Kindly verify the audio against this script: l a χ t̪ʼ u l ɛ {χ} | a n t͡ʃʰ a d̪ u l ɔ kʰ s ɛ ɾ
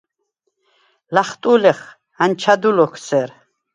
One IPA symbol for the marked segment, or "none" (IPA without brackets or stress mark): χ